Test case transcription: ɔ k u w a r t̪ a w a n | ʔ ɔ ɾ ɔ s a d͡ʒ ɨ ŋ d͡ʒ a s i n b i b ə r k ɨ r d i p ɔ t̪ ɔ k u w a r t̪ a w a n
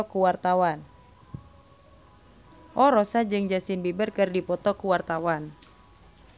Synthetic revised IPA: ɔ k u w a r t̪ a w a n | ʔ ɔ ɾ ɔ s a d͡ʒ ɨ ŋ d͡ʒ a s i n b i b ə r k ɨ r d i p ɔ t̪ ɔ k u w a r t̪ a w a n